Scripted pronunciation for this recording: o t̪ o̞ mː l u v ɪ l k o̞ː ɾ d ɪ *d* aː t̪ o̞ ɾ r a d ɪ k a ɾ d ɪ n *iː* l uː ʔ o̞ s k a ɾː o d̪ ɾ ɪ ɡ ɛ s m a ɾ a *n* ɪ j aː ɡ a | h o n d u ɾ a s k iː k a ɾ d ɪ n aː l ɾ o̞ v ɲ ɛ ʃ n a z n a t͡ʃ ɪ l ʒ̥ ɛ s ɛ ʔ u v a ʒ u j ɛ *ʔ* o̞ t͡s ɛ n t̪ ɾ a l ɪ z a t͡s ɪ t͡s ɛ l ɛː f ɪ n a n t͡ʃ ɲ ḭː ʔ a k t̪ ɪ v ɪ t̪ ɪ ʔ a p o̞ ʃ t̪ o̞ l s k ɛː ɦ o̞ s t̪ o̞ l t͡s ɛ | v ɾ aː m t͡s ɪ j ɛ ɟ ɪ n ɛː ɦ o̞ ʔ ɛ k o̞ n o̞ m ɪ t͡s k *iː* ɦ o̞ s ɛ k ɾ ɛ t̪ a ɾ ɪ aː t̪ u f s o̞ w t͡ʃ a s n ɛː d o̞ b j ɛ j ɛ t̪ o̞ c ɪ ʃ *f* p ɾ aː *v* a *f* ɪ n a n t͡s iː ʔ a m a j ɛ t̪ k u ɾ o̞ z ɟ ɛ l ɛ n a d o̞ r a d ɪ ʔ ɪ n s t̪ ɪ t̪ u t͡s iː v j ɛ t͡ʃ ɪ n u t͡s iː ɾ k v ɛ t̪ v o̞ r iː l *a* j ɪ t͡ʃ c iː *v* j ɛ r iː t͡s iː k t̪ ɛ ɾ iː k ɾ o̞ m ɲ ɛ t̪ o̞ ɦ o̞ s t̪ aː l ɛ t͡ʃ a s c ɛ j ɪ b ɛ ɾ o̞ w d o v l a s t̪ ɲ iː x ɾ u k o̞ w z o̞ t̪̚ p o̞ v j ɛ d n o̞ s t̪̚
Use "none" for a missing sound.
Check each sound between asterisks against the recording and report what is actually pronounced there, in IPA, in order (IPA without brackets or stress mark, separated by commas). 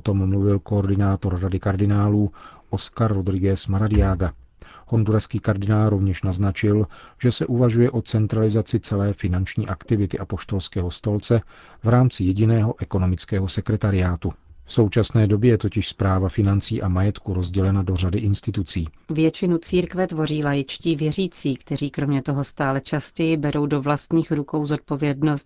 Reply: n, aː, d, ʔ, ɛː, s, v, f, a, v